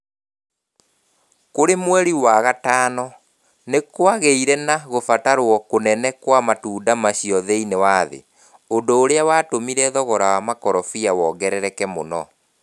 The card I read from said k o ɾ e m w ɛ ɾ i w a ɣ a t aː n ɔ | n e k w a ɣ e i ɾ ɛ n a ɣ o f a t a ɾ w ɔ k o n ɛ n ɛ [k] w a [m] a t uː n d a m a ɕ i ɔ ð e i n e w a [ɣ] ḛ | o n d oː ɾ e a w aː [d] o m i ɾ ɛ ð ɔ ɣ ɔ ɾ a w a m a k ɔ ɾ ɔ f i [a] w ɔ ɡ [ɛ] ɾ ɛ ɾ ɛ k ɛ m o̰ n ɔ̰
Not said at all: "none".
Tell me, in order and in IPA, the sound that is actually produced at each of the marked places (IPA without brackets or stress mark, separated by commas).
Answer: k, m, ð, t, a, ɛ